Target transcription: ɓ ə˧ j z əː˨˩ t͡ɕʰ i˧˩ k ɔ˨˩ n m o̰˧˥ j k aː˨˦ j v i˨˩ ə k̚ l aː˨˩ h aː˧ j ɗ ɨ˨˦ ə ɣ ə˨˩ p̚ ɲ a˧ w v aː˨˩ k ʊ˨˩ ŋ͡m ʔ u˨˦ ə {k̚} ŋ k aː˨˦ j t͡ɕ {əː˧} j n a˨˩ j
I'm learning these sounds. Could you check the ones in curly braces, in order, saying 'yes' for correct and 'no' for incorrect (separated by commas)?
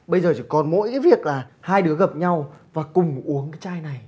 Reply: no, no